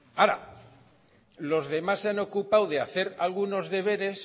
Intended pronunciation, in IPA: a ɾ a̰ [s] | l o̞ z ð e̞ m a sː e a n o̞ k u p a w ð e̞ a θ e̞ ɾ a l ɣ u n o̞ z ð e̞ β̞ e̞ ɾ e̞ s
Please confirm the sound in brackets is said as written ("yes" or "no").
no